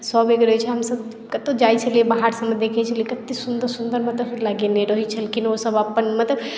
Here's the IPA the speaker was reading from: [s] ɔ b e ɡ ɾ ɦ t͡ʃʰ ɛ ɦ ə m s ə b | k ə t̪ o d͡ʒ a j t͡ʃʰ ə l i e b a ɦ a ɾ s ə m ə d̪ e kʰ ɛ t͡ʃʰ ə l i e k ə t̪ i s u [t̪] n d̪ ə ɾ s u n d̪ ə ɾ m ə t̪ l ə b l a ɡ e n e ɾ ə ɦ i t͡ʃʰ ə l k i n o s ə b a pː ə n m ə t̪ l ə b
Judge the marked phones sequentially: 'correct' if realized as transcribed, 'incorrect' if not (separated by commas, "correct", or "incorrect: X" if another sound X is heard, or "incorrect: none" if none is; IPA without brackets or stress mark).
correct, incorrect: none